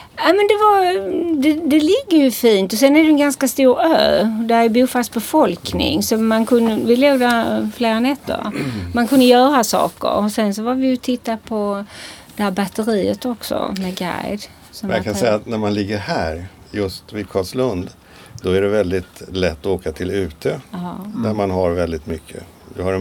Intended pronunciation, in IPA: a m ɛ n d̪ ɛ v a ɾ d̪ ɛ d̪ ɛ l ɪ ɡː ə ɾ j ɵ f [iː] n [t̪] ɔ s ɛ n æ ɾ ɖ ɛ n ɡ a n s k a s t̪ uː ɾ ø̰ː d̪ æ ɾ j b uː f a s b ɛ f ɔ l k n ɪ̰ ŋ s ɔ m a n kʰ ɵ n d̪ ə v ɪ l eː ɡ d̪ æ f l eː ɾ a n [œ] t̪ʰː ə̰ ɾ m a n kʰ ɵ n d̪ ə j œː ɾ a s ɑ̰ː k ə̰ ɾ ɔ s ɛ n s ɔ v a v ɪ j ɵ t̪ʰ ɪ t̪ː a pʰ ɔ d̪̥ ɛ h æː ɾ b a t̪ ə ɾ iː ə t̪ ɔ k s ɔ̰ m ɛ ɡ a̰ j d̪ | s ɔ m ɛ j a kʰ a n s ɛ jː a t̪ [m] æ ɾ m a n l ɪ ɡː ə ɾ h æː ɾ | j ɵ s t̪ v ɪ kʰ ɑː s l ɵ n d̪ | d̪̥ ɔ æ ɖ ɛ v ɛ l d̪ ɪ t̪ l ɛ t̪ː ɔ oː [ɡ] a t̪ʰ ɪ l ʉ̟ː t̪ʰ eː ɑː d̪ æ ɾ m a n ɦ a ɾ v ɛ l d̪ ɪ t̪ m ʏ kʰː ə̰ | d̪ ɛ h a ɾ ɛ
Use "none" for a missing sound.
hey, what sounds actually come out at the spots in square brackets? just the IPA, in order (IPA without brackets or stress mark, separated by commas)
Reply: iː, t̪, ɛ, n, k